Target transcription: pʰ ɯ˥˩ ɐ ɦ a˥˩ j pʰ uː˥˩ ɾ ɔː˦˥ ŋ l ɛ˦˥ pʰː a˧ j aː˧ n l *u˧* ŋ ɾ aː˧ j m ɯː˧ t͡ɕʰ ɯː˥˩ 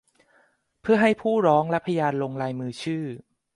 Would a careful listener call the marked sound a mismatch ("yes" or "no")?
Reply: yes